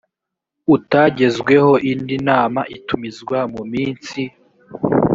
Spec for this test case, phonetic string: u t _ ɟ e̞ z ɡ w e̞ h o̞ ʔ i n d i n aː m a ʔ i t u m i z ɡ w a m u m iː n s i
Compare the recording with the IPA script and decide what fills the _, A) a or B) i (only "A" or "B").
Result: A